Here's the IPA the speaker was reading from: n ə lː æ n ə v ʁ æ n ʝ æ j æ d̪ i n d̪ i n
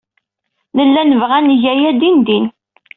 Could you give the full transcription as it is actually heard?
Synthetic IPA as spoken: n ə lː æ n ə v ʁ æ n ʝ æ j æ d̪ i n d̪ i n